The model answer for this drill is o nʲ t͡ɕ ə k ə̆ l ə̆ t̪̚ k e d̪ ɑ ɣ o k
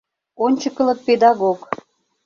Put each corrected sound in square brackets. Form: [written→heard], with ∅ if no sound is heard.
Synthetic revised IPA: o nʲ t͡ɕ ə k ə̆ l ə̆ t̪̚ [k→p] e d̪ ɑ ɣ o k